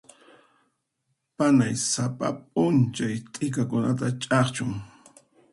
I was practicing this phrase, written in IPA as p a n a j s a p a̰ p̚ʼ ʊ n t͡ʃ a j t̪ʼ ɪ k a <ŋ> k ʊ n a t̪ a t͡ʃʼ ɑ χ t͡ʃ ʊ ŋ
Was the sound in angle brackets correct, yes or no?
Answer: no